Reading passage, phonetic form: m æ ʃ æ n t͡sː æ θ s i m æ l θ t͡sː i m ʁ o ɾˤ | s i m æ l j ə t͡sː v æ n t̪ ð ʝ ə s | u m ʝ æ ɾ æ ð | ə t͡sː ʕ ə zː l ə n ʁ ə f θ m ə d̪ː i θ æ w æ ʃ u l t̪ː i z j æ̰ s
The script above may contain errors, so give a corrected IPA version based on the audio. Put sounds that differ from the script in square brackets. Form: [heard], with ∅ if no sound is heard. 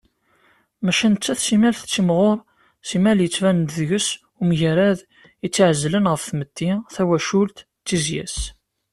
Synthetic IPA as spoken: m æ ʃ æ n t͡sː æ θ s i m æ l θ t͡sː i m ʁ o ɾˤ | s i m æ l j ə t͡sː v æ n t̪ ð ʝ ə s | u m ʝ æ ɾ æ ð | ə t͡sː ʕ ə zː l ə n ʁ ə f θ m ə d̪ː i θ æ w æ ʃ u l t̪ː i z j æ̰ s